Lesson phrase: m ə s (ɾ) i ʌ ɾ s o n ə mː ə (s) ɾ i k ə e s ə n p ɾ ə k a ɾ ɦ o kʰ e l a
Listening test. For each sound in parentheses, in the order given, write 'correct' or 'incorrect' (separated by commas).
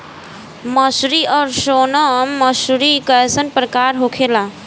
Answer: correct, correct